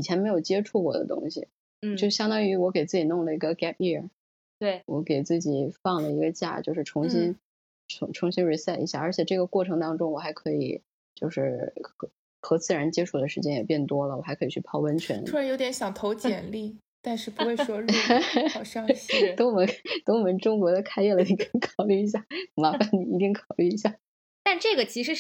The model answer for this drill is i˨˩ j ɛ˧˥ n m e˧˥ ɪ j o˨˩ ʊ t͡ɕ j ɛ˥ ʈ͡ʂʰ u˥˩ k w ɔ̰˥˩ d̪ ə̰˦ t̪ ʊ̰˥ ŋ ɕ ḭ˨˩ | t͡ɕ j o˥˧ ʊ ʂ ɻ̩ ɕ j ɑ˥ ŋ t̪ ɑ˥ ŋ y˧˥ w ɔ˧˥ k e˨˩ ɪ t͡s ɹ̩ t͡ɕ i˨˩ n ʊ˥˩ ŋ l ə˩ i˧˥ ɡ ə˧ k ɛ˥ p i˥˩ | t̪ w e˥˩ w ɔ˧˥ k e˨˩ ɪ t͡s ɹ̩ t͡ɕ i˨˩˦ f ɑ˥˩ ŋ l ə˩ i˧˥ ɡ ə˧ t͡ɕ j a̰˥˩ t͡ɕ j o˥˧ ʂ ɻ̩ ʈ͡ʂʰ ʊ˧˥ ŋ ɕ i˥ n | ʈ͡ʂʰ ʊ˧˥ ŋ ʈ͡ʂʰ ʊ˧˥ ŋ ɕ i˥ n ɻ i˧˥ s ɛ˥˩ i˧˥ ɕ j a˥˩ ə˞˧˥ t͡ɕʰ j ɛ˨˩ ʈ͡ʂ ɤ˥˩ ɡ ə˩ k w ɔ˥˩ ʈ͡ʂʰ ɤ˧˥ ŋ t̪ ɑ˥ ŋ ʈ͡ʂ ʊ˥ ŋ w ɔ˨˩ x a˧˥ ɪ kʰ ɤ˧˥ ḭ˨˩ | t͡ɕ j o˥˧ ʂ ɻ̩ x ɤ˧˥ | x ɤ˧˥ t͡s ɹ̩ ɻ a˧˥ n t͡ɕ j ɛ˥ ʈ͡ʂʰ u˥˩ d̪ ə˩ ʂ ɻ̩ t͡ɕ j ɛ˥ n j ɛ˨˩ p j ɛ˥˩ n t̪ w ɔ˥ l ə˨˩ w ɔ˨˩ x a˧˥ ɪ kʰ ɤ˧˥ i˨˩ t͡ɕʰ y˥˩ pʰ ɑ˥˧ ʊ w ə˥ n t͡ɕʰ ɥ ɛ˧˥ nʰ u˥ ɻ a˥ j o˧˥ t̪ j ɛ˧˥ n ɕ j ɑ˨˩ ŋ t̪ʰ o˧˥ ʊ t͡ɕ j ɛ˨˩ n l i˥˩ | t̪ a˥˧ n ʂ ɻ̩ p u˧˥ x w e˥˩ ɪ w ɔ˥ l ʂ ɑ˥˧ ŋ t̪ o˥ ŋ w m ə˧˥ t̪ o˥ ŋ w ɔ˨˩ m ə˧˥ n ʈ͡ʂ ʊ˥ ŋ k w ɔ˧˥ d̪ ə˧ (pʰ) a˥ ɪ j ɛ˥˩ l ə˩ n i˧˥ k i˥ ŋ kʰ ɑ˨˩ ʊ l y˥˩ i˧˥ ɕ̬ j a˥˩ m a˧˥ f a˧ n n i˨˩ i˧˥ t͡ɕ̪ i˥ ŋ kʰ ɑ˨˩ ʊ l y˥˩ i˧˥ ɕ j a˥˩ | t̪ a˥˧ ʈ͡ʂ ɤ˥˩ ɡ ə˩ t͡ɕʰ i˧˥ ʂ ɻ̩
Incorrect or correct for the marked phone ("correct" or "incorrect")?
incorrect